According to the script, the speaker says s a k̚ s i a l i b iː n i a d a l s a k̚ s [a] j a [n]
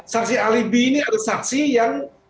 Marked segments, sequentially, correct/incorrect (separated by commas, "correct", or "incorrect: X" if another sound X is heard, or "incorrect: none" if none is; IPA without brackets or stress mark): incorrect: i, incorrect: ŋ